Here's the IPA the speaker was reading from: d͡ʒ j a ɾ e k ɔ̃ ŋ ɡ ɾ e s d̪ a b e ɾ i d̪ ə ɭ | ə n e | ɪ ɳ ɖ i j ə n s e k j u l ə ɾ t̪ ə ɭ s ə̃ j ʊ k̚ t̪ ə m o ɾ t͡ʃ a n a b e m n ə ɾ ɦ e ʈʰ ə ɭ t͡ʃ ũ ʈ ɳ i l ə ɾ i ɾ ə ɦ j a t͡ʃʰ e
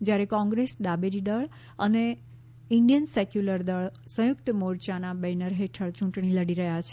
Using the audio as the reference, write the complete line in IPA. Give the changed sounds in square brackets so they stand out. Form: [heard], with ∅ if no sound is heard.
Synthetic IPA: d͡ʒ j a ɾ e k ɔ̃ ŋ ɡ ɾ e s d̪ a b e ɾ i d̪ ə ɭ | ə n e | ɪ ɳ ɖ i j ə n s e k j u l ə ɾ [d̪] ə ɭ s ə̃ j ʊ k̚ t̪ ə m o ɾ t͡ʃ a n a b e [∅] n ə ɾ ɦ e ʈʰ ə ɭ t͡ʃ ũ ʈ ɳ i l ə [ɽ] i ɾ ə ɦ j a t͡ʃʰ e